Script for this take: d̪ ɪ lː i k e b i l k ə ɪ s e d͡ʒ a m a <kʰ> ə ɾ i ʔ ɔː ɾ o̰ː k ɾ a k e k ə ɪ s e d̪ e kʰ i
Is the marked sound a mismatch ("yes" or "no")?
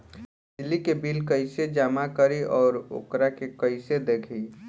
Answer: yes